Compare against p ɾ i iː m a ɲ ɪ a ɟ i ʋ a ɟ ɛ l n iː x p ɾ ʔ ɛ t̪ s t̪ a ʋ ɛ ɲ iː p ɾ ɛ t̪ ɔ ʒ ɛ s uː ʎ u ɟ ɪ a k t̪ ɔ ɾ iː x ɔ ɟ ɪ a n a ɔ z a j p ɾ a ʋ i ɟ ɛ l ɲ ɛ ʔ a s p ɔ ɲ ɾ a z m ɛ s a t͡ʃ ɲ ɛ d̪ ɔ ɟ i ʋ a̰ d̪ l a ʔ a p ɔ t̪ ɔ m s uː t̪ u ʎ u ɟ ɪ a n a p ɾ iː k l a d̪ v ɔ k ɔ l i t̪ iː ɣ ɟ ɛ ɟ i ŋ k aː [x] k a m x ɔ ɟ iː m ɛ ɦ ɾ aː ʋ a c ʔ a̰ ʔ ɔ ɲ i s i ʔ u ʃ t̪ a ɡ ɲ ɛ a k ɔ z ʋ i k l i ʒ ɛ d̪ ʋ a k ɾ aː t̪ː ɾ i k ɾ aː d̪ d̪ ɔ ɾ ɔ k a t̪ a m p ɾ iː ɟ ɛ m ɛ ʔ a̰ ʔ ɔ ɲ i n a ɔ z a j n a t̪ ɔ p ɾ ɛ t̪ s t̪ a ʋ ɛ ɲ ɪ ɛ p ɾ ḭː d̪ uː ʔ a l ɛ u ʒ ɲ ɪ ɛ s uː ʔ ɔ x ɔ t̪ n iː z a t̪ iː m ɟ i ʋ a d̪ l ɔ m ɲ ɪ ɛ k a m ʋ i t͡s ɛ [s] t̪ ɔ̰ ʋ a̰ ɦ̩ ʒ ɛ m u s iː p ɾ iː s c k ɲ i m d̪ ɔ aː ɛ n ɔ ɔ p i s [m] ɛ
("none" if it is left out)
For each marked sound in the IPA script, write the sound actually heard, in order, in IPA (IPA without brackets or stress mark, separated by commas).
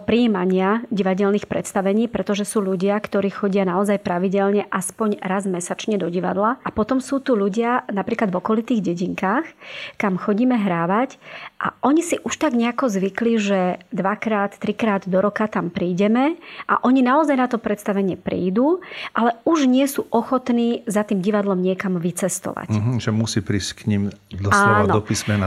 x, s, m